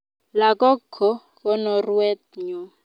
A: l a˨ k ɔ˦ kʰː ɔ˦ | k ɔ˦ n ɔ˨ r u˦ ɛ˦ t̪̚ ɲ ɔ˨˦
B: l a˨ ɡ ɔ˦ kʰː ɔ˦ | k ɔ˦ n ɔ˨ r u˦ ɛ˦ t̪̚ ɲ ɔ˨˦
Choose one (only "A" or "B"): A